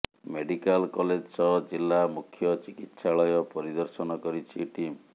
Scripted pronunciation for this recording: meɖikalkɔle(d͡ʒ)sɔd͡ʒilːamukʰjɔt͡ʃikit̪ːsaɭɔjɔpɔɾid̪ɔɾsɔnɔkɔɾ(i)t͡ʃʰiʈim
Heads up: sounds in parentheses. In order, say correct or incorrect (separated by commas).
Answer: correct, correct